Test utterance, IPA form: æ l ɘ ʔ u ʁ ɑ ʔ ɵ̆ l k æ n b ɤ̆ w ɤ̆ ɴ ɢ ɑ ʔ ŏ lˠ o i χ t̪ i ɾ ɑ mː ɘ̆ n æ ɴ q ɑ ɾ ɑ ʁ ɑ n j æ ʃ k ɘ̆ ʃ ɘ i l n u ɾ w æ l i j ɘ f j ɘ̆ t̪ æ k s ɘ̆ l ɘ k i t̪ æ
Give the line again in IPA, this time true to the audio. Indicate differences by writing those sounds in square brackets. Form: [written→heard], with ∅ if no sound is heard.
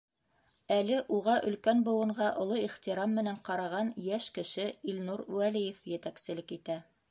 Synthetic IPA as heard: æ l ɘ ʔ u ʁ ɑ ʔ ɵ̆ l k æ n b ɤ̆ w ɤ̆ ɴ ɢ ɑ ʔ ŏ lˠ o i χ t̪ i ɾ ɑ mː ɘ̆ n æ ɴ q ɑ ɾ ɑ ʁ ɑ n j æ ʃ k ɘ̆ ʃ ɘ i l n u ɾ w æ l i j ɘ f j ɘ̆ t̪ æ k s ɘ̆ l ɘ k i t̪ æ